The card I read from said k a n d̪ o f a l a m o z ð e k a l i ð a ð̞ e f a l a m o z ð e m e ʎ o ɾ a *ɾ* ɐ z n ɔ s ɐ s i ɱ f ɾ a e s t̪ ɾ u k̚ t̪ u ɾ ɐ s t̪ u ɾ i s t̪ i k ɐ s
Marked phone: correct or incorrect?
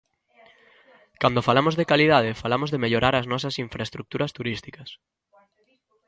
correct